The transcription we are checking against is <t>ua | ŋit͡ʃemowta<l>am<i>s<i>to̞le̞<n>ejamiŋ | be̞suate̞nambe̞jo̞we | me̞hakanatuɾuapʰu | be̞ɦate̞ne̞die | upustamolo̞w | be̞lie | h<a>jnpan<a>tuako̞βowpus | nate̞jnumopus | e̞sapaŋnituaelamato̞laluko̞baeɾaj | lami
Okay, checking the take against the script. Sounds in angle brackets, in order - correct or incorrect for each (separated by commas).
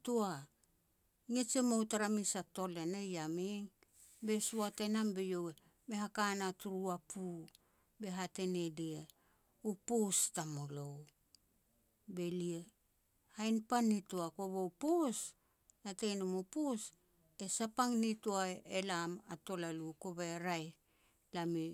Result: correct, incorrect, correct, incorrect, correct, correct, incorrect